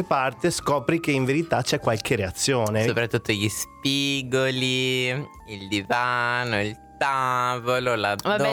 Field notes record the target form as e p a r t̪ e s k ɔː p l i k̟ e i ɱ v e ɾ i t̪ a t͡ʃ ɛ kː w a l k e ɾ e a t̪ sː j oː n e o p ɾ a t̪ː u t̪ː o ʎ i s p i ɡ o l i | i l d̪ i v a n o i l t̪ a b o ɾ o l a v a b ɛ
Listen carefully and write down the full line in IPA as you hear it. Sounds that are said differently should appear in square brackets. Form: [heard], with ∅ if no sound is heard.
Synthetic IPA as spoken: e p a r t̪ e s k ɔː p [ɾ] i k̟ e i ɱ v e ɾ i t̪ a t͡ʃ ɛ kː w a l k e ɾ e a t̪ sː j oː n e o p ɾ a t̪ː u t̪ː o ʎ i s p i ɡ o l i | i l d̪ i v a n o i l t̪ a [v] o [l] o l a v a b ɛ